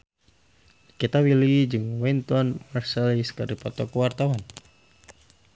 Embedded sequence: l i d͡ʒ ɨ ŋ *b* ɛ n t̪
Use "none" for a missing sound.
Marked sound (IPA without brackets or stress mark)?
w